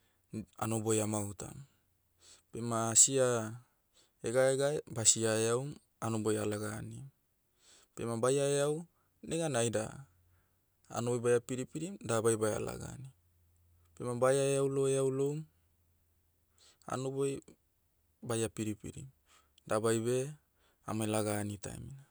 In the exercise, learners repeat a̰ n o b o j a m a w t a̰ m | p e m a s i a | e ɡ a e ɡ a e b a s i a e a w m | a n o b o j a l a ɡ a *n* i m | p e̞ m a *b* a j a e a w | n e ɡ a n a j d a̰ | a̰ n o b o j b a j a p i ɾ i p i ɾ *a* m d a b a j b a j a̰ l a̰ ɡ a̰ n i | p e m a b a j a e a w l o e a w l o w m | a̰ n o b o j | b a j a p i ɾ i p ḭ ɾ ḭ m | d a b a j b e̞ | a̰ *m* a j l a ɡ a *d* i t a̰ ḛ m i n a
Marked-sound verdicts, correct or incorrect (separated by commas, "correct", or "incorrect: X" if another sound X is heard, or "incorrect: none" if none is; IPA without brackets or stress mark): correct, correct, incorrect: i, correct, incorrect: n